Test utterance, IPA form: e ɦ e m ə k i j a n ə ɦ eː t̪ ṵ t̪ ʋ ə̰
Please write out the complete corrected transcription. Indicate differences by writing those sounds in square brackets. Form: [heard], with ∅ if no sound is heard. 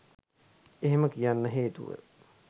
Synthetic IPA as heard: e ɦ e m ə k i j a [nː] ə ɦ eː t̪ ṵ [∅] ʋ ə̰